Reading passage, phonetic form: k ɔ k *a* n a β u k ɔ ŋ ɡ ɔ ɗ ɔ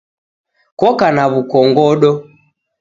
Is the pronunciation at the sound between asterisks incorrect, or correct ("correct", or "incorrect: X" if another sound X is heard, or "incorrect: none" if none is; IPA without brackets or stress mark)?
correct